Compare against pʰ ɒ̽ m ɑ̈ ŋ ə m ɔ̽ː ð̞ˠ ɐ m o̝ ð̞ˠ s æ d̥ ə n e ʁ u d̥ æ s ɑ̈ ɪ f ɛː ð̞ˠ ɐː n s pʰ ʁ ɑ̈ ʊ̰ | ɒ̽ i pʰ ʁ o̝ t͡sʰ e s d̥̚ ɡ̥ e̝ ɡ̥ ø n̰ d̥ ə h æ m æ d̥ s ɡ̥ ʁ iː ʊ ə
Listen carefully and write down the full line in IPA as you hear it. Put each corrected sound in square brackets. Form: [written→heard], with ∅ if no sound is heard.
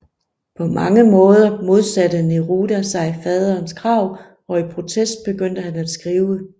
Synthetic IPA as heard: pʰ ɒ̽ m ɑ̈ ŋ ə m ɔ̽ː ð̞ˠ ɐ m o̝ ð̞ˠ s æ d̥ ə n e ʁ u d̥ æ s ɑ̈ ɪ f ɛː ð̞ˠ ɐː n s [pʰ→kʰ] ʁ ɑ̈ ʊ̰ | ɒ̽ i pʰ ʁ o̝ t͡sʰ e s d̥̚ [ɡ̥→b̥] e̝ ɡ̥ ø n̰ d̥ ə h æ [m→n] æ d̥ s ɡ̥ ʁ iː ʊ ə